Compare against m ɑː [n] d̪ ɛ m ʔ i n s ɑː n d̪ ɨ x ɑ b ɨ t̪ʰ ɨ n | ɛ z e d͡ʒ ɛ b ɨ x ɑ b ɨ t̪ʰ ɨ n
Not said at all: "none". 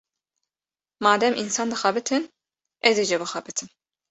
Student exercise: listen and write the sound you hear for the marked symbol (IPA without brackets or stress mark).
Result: none